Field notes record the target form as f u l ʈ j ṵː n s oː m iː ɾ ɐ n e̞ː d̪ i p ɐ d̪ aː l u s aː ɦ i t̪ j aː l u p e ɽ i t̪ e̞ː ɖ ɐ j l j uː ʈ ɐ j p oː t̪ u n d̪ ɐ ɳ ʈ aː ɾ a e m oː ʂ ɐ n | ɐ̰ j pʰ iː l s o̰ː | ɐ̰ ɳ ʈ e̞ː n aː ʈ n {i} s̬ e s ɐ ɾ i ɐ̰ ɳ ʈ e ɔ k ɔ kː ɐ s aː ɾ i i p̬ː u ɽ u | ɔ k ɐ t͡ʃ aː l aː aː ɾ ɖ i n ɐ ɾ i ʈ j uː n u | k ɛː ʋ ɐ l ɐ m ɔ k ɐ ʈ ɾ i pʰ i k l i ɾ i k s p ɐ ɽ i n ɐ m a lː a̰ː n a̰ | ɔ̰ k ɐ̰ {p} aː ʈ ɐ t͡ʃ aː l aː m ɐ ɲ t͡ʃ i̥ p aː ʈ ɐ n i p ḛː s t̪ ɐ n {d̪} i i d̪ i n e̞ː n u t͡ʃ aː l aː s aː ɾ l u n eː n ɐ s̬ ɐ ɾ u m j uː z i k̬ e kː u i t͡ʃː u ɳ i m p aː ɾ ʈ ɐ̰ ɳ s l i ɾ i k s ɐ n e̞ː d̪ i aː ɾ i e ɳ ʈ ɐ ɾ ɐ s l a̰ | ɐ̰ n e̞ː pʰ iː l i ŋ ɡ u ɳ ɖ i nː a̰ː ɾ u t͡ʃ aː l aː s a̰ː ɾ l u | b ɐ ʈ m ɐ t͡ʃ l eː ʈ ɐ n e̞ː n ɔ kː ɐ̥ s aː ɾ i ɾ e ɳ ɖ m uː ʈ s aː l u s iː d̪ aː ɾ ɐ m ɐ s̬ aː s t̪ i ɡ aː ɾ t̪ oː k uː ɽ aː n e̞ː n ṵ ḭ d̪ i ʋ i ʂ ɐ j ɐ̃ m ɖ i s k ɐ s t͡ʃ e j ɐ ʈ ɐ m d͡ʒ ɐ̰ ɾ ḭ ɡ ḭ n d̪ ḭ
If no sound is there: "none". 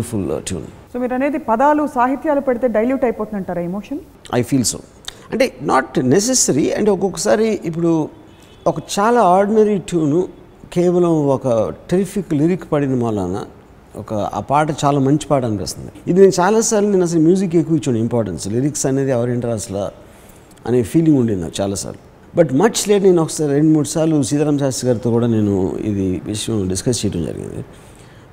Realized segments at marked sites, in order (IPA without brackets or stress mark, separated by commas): e, p, d̪